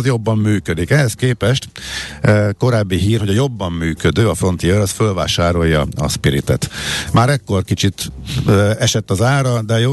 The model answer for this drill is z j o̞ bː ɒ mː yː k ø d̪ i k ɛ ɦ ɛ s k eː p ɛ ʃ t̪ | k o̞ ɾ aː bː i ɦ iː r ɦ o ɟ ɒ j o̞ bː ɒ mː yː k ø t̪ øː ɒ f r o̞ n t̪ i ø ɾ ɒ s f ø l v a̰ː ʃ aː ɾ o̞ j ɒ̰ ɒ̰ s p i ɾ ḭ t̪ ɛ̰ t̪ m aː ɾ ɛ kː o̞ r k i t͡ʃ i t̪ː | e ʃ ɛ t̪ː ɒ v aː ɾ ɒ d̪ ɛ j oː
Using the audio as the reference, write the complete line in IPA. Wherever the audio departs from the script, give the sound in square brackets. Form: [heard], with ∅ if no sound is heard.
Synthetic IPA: z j o̞ bː ɒ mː yː k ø d̪ i k ɛ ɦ ɛ s k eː p ɛ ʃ t̪ | k o̞ ɾ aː bː i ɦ iː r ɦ o ɟ ɒ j o̞ bː ɒ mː yː k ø [d̪] øː ɒ f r o̞ n t̪ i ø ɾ ɒ s f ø l v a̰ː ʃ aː ɾ o̞ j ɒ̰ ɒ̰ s p i ɾ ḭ t̪ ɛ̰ t̪ m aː ɾ ɛ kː o̞ r k i t͡ʃ i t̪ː | [ɛ] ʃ ɛ t̪ː ɒ [z] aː ɾ ɒ d̪ ɛ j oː